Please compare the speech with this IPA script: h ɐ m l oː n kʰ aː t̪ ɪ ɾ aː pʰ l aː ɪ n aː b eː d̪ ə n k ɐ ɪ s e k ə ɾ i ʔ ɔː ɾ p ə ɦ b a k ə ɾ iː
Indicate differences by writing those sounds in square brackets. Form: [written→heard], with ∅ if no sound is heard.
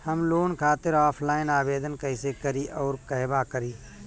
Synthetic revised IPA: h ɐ m l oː n kʰ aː t̪ ɪ ɾ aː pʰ l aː ɪ n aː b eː d̪ ə n k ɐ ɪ s e k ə ɾ i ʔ ɔː ɾ [p→k] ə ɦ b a k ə ɾ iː